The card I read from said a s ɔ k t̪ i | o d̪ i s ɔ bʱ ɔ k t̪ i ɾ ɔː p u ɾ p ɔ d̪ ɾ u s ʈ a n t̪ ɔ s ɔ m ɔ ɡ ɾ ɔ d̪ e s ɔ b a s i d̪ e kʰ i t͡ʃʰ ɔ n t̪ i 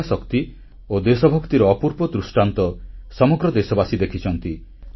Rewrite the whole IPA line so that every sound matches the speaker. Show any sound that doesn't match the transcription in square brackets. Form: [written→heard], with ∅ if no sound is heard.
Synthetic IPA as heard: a s ɔ k t̪ i | o d̪ [i→e] s ɔ bʱ ɔ k t̪ i ɾ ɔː p u ɾ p ɔ d̪ ɾ u s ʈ a n t̪ ɔ s ɔ m ɔ ɡ ɾ ɔ d̪ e s ɔ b a s i d̪ e kʰ i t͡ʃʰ ɔ n t̪ i